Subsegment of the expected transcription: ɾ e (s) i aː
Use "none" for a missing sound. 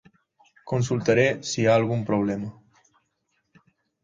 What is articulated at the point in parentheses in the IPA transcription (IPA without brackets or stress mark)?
s